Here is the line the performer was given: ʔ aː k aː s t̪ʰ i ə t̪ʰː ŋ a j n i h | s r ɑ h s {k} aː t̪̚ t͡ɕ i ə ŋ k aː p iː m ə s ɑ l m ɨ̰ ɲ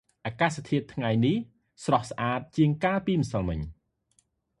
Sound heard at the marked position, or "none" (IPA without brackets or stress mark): ʔ